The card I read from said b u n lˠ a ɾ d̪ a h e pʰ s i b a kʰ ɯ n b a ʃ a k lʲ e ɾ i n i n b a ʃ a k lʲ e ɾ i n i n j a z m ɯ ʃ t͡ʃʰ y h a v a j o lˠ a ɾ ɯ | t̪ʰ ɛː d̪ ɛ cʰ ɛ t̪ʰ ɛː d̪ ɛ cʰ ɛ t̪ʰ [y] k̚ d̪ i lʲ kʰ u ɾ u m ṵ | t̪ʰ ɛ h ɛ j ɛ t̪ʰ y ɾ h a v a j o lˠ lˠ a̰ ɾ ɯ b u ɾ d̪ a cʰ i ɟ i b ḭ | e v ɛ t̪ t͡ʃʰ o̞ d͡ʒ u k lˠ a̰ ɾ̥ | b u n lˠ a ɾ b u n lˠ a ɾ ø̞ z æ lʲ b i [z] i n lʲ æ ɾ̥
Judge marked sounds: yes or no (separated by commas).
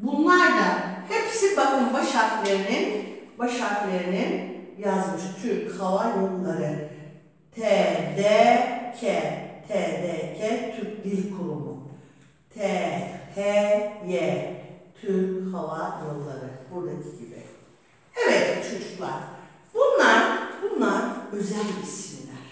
yes, no